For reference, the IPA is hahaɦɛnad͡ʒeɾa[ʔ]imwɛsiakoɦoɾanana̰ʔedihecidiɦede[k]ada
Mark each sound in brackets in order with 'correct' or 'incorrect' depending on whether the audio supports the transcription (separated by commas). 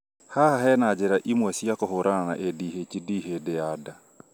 correct, incorrect